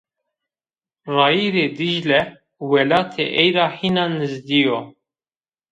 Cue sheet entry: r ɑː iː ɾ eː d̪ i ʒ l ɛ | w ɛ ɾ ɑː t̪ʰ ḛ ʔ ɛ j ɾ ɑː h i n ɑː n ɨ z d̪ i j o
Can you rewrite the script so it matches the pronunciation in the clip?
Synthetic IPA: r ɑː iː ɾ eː d̪ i ʒ l ɛ | w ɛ l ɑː t̪ʰ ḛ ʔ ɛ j ɾ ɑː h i n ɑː n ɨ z d̪ i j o